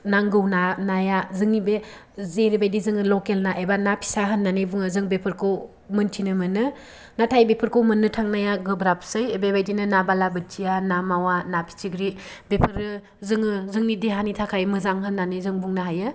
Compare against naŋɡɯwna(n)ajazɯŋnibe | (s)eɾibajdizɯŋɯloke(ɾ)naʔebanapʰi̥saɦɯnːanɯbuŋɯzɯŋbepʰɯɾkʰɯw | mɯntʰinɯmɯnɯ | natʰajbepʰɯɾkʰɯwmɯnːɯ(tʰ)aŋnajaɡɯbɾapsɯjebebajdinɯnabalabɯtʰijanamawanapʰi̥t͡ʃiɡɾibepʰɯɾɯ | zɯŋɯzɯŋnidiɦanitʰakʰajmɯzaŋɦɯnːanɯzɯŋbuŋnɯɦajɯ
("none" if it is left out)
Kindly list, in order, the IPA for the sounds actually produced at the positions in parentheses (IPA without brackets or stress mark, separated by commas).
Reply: n, z, l, tʰ